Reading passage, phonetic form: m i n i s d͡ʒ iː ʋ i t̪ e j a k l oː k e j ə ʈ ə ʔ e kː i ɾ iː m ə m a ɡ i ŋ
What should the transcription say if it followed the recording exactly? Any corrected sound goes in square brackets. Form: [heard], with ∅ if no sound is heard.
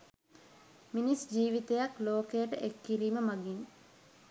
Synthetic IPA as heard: m i n i s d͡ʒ iː ʋ i t̪ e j a k l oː k e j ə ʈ ə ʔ e kː i ɾ iː m ə m a ɡ i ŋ